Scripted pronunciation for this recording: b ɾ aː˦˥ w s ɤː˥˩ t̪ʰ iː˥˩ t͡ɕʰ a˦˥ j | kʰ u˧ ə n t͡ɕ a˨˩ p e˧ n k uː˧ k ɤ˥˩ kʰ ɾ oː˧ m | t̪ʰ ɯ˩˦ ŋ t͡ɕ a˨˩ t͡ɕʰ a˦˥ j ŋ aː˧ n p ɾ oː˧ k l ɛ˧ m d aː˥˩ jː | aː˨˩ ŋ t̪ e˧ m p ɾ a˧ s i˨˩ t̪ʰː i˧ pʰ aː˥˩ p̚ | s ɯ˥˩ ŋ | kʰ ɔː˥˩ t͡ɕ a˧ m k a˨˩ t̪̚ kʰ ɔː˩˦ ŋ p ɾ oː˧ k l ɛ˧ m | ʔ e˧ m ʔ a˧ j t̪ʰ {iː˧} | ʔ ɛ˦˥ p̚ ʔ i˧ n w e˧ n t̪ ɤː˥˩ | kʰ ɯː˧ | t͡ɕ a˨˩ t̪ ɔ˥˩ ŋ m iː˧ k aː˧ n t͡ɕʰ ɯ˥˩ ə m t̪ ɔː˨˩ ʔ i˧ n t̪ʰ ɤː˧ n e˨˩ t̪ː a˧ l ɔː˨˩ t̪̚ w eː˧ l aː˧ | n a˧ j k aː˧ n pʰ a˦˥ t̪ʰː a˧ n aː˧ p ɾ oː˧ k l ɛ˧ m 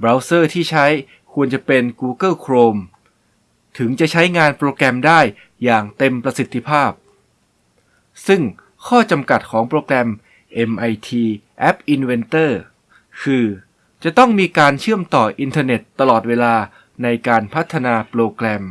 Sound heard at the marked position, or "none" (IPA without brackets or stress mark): iː˧